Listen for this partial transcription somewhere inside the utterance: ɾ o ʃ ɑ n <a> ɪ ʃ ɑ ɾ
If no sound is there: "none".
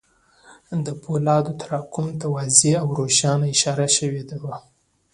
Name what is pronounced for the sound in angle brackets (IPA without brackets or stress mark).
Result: a